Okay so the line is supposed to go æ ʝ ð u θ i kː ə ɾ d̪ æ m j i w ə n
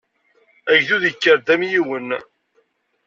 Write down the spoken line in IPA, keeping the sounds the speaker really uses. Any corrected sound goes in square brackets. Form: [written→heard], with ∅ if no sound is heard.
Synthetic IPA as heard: æ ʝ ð u [θ→ð] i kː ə ɾ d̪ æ m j i w ə n